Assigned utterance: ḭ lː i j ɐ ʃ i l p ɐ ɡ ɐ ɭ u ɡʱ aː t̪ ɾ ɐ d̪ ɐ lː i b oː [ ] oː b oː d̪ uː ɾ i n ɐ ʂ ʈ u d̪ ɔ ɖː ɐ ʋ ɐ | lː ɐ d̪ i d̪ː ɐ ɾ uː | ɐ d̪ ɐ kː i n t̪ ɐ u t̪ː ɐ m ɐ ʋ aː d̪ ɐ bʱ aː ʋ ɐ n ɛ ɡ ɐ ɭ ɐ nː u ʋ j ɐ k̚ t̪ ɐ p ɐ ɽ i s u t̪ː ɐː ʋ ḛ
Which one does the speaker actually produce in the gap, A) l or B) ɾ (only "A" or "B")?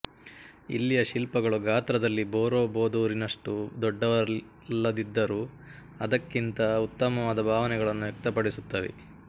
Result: B